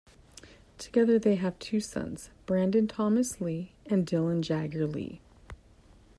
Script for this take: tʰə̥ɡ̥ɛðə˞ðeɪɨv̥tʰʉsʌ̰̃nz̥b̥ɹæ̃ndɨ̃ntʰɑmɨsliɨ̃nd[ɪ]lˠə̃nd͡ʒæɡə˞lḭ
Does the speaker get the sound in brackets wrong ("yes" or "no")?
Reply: no